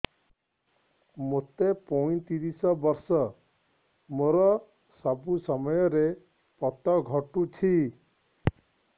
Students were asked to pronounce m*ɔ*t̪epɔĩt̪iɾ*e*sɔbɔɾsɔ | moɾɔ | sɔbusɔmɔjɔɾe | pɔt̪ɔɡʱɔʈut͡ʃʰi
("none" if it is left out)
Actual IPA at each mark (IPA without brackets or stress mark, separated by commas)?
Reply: o, i